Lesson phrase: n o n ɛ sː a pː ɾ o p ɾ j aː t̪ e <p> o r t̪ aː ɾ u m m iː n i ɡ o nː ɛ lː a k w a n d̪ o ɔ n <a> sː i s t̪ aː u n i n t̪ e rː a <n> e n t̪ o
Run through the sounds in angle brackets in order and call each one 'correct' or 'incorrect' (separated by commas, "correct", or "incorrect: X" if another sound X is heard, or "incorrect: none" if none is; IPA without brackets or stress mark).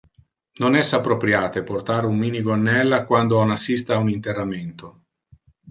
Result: correct, correct, incorrect: m